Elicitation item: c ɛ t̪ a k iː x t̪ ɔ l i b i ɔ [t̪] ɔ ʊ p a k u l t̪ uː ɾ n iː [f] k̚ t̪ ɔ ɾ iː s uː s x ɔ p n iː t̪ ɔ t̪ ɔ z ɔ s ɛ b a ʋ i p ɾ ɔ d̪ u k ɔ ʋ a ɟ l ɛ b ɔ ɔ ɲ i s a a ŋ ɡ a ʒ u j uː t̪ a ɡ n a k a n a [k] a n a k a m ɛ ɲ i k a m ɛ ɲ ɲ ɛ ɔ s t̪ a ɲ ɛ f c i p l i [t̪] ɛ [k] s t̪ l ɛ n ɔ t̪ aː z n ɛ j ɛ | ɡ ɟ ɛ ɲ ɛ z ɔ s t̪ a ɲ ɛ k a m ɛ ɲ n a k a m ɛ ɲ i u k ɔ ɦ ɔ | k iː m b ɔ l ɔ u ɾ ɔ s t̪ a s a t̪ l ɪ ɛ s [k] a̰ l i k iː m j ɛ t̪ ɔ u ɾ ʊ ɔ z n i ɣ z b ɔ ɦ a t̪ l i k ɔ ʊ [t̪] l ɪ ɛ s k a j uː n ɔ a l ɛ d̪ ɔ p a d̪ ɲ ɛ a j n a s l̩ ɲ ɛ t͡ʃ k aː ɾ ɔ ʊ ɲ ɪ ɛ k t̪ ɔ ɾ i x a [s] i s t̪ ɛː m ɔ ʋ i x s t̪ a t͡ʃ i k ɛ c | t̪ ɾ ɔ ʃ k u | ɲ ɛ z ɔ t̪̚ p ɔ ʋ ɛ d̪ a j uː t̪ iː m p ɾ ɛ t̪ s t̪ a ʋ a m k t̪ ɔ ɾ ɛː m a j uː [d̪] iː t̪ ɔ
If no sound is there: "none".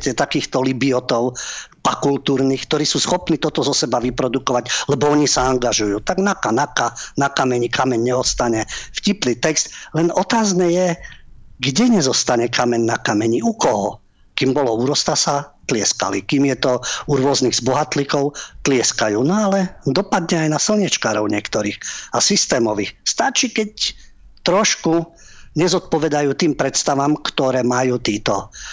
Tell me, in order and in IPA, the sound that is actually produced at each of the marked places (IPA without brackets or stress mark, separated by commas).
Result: t̪, x, k, t̪, k, k, t̪, s, t̪